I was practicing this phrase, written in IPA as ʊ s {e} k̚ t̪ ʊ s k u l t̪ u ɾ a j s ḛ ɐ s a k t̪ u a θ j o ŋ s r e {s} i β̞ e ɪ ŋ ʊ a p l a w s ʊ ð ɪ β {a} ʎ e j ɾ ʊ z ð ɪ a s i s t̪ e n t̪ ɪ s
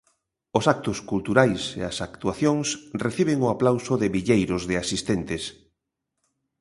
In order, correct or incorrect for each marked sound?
incorrect, incorrect, incorrect

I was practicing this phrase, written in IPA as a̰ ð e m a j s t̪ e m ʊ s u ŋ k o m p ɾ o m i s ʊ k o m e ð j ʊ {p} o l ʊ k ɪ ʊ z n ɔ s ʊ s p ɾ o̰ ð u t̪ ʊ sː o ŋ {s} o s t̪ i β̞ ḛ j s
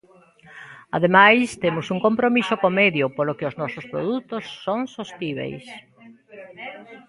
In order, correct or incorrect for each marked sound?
correct, correct

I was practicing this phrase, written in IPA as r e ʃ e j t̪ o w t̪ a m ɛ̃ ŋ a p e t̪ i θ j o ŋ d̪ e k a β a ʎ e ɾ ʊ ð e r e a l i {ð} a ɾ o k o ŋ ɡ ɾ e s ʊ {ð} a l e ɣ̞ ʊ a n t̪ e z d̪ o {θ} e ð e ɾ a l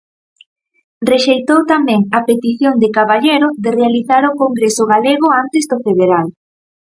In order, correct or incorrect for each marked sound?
incorrect, incorrect, incorrect

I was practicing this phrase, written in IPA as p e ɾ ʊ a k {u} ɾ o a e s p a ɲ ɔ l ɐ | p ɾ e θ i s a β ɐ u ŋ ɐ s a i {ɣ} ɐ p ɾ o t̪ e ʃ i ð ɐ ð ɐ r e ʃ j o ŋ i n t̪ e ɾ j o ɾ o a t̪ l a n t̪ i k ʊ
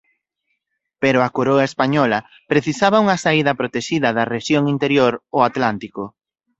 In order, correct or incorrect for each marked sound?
incorrect, incorrect

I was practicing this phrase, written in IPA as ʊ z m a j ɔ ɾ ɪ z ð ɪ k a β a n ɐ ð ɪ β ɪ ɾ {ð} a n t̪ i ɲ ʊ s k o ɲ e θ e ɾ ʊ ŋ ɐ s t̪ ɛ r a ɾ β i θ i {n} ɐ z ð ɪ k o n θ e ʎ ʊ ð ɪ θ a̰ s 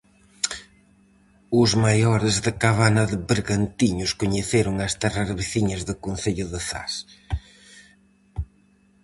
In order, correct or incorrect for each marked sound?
incorrect, incorrect

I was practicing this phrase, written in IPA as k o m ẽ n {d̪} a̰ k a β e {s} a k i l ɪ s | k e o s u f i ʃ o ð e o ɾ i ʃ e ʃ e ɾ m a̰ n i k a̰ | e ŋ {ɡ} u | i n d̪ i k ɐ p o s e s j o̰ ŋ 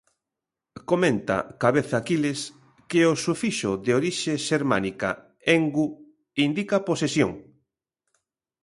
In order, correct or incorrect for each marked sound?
incorrect, incorrect, correct

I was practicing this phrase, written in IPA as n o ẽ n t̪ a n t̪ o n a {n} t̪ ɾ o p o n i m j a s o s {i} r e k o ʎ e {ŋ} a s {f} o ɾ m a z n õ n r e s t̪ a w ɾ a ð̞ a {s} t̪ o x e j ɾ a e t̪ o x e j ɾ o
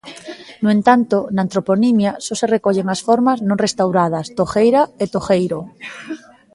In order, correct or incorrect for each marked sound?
correct, incorrect, correct, correct, correct

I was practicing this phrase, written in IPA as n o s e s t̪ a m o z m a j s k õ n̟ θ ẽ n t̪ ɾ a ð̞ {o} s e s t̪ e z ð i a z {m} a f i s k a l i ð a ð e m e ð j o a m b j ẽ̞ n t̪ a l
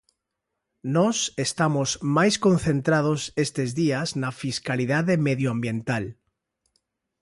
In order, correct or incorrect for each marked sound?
correct, incorrect

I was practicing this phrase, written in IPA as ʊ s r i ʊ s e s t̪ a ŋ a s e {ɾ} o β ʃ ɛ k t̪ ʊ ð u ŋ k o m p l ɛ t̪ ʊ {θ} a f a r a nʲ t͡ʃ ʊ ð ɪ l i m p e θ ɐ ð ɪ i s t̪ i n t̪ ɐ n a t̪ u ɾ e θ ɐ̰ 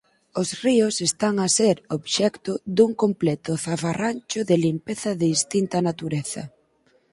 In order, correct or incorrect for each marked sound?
correct, correct

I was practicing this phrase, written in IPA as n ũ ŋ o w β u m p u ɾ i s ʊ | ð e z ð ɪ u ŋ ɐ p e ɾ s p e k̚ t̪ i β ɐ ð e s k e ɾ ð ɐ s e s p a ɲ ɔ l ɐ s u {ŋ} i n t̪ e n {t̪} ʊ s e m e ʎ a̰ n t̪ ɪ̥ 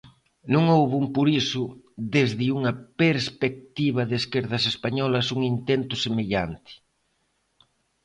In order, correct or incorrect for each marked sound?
correct, correct

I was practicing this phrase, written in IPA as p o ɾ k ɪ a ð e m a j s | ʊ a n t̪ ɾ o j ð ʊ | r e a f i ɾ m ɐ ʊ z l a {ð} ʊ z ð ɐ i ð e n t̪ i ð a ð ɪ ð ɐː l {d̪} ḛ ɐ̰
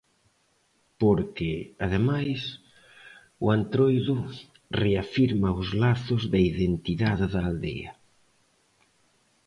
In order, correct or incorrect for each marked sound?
incorrect, correct

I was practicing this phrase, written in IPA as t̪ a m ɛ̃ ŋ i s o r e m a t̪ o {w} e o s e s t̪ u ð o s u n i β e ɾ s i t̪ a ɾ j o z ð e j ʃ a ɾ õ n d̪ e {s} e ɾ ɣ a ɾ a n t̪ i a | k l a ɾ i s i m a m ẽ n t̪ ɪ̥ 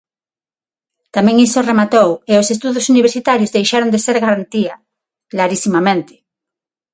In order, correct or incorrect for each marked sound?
correct, correct

